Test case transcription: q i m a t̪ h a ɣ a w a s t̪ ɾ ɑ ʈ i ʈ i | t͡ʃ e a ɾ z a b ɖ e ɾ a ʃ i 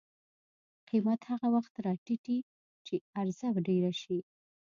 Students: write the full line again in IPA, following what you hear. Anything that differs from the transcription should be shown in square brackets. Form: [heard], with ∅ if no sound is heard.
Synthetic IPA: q i m a t̪ h a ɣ a w a [x] t̪ ɾ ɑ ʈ i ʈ i | t͡ʃ e a ɾ z a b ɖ e ɾ a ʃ i